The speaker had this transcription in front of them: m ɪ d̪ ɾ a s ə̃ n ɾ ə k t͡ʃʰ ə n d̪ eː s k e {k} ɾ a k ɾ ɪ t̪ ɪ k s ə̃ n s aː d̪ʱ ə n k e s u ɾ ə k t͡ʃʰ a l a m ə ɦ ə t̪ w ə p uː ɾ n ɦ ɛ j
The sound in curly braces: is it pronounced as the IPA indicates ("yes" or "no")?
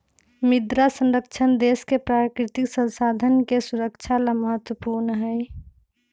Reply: no